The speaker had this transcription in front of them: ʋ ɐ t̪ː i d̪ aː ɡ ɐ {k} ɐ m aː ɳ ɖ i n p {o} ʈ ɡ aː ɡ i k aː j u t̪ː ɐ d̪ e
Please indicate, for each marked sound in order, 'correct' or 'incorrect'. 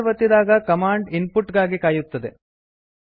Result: correct, incorrect: u

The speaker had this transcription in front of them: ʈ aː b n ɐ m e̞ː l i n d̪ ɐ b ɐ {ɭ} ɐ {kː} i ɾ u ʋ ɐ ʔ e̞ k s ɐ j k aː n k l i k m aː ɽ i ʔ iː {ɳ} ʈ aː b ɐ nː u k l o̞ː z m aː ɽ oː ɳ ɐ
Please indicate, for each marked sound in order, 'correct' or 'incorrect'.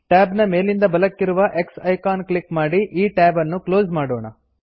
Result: incorrect: l, correct, incorrect: none

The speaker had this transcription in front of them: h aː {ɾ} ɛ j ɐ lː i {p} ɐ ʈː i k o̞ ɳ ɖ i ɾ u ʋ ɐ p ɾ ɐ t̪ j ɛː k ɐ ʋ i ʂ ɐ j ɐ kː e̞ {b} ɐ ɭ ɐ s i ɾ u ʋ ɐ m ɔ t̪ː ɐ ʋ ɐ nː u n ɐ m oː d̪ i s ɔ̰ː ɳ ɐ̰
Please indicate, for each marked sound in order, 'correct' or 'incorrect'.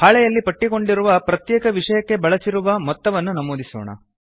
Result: incorrect: ɭ, correct, correct

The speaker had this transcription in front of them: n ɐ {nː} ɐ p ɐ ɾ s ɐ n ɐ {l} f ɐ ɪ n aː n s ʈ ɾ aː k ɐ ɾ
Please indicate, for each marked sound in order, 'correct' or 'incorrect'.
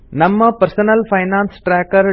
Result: incorrect: mː, correct

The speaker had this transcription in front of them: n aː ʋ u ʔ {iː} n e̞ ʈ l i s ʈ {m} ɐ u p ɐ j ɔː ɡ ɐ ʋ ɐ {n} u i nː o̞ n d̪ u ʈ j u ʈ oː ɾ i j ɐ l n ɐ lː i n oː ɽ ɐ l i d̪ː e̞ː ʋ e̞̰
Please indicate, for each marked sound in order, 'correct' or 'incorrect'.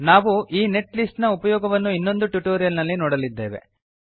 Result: correct, incorrect: n, incorrect: nː

